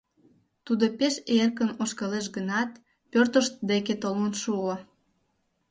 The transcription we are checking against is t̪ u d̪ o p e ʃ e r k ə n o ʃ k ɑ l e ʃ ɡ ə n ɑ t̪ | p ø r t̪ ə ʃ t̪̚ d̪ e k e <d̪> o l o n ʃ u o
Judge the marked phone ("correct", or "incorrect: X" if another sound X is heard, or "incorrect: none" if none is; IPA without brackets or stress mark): incorrect: t̪